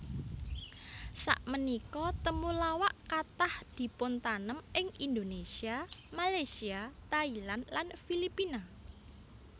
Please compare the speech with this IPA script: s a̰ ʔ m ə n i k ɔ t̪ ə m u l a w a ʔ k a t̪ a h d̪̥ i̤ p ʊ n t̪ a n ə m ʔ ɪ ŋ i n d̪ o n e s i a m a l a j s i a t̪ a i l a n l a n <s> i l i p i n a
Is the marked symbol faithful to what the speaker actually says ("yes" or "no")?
no